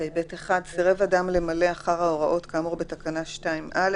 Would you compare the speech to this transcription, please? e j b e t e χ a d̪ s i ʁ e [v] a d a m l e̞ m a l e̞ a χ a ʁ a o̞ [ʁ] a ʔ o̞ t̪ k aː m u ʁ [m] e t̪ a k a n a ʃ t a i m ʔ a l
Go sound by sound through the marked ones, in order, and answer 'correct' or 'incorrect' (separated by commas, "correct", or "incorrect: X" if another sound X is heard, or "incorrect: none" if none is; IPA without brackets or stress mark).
correct, correct, incorrect: b